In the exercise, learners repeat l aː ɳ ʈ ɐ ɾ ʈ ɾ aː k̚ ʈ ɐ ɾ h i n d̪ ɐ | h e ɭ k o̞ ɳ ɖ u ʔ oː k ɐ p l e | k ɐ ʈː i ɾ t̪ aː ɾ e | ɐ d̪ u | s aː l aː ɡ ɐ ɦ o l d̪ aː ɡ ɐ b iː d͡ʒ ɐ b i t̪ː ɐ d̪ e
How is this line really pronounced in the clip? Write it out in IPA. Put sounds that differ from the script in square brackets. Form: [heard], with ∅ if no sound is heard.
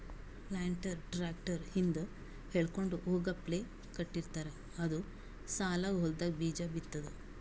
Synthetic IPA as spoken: l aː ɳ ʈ ɐ ɾ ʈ ɾ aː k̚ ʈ ɐ ɾ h i n d̪ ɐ | h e ɭ k o̞ ɳ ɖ u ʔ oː [ɡ] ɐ p l e | k ɐ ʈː i ɾ t̪ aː ɾ e | ɐ d̪ u | s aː l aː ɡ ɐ ɦ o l d̪ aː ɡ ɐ b iː d͡ʒ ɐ b i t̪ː ɐ d̪ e